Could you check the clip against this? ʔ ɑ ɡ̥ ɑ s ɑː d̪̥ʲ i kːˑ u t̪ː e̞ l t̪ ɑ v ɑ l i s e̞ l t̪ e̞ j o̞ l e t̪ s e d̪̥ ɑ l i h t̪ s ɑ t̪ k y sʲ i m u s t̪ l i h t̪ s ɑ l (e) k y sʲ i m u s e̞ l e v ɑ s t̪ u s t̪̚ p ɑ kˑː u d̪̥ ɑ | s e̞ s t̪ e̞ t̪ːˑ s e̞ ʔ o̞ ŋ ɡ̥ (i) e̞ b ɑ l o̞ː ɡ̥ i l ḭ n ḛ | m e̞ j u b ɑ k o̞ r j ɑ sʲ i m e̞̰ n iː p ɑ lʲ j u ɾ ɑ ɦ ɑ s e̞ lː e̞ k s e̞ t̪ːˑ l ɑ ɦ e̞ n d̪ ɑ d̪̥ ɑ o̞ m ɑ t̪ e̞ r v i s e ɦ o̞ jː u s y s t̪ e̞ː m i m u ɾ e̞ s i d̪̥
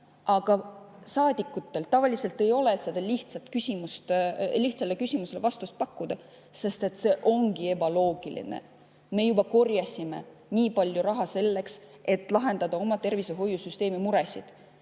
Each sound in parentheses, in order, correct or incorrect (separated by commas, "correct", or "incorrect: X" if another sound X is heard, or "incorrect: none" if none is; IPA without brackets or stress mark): correct, correct